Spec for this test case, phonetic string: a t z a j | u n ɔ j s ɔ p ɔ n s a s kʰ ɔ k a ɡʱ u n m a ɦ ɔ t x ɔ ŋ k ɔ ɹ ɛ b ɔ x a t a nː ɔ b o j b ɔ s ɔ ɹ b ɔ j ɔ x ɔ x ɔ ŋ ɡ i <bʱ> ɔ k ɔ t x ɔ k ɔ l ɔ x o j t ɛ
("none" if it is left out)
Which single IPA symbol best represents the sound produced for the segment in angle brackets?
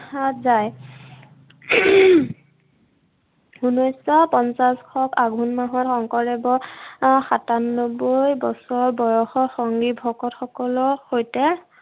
bʱ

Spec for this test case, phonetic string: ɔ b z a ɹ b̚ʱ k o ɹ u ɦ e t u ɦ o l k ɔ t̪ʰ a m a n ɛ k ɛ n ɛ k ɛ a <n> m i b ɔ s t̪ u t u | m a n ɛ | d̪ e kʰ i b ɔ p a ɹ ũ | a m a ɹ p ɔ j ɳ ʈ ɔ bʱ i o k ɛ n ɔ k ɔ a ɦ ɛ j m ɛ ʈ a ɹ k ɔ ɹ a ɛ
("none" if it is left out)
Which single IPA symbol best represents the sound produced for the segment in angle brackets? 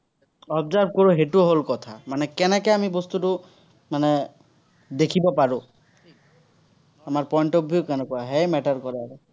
none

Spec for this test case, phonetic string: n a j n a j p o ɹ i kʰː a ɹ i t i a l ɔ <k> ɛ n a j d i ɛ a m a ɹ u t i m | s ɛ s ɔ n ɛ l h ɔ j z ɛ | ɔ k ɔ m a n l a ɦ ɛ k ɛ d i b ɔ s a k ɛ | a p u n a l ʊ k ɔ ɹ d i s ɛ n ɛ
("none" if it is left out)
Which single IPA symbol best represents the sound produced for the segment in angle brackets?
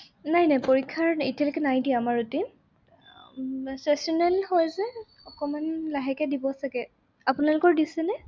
k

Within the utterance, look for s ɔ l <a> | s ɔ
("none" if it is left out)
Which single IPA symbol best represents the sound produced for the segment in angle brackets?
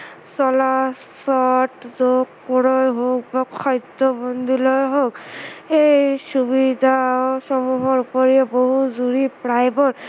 a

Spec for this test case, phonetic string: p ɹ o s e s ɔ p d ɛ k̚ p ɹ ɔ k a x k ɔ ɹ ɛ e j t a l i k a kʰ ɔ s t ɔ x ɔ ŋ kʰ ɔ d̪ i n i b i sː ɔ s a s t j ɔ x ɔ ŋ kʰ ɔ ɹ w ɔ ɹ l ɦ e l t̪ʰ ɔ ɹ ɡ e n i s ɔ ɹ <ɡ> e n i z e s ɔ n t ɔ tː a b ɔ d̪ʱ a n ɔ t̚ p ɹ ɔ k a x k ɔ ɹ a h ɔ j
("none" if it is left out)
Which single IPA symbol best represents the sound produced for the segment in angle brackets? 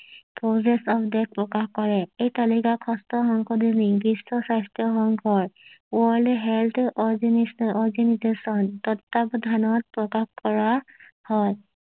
ɡ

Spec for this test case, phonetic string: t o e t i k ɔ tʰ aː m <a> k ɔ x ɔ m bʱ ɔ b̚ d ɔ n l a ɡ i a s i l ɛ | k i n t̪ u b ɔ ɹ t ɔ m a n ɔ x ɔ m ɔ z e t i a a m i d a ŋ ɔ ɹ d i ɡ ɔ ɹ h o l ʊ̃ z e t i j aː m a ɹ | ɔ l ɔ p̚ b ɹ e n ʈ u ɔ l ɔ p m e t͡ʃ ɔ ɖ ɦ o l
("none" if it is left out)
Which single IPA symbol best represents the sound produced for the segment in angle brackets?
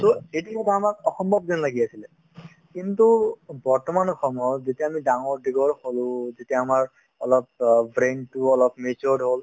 a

